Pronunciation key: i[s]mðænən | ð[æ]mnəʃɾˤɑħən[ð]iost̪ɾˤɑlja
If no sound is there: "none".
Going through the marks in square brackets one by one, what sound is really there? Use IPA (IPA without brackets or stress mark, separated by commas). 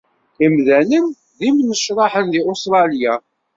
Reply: none, i, ð